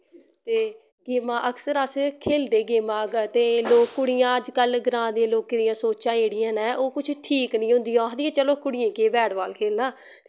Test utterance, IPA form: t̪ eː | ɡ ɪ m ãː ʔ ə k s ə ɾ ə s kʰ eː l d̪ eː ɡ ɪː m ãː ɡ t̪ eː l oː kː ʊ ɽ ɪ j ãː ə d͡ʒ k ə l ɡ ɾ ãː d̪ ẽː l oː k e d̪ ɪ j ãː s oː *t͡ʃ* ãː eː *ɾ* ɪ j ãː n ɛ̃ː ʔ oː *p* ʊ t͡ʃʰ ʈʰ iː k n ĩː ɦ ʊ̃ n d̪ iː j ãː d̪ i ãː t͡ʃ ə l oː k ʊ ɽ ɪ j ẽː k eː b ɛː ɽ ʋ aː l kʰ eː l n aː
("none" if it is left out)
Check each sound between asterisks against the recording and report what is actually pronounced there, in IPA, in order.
t͡ʃ, ɽ, k

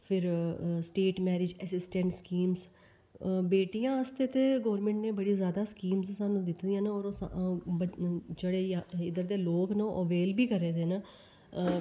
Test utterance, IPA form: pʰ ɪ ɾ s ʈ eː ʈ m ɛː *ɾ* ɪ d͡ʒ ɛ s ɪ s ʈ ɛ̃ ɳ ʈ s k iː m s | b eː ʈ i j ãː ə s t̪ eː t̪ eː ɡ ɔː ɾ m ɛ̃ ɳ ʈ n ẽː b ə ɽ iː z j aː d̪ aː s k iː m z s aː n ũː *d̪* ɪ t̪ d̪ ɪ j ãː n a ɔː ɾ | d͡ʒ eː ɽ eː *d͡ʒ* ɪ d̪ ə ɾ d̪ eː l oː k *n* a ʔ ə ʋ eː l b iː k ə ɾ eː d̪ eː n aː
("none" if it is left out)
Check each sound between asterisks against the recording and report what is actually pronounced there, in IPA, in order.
ɾ, d̪, none, n

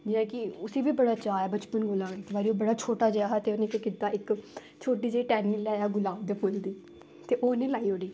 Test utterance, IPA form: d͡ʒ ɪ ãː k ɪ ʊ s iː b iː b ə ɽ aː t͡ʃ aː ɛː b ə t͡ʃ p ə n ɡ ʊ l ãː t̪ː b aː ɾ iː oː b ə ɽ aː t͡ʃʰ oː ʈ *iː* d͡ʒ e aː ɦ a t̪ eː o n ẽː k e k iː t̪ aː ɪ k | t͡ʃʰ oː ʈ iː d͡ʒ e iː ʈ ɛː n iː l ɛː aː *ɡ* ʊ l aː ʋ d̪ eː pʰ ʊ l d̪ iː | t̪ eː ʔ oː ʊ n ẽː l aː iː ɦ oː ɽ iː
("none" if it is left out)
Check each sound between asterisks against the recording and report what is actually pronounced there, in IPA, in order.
aː, ɡ

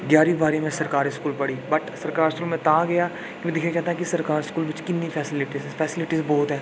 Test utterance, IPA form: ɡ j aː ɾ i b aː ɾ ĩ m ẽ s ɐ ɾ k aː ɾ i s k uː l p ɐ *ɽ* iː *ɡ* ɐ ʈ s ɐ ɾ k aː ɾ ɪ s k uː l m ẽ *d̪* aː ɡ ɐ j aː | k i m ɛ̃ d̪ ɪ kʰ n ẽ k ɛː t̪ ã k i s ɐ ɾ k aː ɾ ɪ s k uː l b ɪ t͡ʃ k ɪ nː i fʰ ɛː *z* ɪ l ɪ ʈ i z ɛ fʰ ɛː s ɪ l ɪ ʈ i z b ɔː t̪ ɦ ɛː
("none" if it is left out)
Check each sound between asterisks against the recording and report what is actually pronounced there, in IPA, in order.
ɽ, b, t̪, s

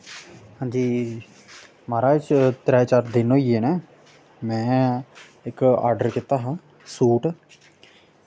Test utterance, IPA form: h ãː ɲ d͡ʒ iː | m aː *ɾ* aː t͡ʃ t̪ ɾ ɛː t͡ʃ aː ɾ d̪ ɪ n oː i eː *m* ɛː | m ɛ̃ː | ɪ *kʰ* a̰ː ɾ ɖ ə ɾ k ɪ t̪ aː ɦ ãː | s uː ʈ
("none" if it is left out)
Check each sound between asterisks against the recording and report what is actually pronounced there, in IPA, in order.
ɾ, n, k

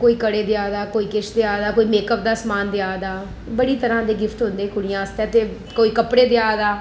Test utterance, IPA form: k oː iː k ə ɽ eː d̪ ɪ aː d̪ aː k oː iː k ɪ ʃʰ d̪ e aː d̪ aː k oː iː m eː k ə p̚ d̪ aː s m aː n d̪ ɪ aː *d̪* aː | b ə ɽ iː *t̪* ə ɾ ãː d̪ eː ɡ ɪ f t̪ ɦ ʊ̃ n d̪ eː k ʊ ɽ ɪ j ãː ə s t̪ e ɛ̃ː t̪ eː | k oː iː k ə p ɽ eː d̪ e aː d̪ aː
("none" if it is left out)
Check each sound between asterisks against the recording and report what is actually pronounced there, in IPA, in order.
d̪, t̪

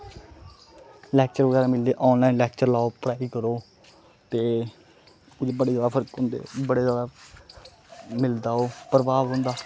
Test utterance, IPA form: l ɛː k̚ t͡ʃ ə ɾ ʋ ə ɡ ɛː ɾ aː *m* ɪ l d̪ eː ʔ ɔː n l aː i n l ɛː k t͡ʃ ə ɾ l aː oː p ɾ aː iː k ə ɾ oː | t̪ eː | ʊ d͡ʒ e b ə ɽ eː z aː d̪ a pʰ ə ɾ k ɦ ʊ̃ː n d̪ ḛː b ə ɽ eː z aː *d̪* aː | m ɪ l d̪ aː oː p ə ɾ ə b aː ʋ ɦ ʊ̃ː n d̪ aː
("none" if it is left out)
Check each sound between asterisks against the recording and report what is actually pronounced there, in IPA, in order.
m, d̪

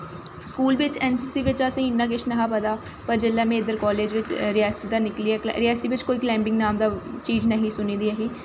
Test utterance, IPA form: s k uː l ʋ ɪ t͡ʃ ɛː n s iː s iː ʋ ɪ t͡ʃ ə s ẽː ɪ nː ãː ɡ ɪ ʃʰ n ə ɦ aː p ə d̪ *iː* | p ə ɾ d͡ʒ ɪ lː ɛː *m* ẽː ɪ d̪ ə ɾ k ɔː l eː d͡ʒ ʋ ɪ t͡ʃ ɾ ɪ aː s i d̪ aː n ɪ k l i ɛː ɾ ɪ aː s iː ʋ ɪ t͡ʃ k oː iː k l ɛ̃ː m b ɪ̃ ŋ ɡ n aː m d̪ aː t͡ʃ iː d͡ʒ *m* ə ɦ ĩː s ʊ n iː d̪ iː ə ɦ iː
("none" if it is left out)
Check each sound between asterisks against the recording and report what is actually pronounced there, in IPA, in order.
aː, m, n

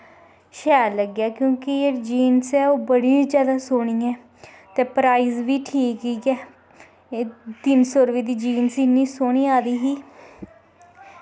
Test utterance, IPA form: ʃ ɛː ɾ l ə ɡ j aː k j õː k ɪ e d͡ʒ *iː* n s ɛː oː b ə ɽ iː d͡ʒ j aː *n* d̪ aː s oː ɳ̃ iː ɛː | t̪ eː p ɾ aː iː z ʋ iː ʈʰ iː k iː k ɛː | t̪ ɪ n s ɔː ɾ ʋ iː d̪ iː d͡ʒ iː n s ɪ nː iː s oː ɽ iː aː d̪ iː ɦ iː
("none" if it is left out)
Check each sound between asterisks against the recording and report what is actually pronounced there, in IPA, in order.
iː, none

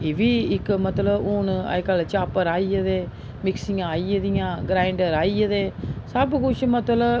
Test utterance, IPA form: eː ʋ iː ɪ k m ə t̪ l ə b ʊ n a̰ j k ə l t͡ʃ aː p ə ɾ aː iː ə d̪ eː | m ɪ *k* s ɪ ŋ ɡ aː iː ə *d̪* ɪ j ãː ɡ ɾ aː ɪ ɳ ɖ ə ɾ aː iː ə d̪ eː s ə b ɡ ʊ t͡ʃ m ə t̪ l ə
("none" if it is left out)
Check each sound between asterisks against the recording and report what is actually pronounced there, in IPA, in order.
k, d̪

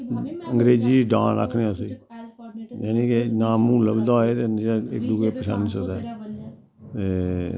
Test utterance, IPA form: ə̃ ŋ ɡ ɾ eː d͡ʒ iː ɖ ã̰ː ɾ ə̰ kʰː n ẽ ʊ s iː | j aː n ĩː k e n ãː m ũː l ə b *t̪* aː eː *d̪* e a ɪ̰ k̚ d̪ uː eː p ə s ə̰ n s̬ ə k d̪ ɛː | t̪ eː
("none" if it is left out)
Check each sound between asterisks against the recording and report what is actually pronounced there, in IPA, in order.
d̪, t̪

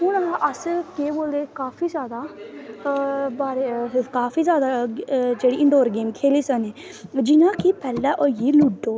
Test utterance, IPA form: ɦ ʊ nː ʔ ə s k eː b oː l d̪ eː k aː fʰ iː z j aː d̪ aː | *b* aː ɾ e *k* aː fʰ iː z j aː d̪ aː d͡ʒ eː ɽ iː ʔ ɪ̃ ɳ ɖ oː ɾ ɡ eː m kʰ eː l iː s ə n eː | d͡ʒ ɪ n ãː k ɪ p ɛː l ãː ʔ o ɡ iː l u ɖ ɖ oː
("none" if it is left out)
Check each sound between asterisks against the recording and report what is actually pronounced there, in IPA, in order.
b, k

